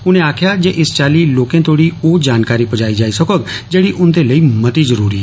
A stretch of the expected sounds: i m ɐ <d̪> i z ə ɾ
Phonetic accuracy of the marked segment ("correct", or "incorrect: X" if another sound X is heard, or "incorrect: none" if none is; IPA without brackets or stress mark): incorrect: t̪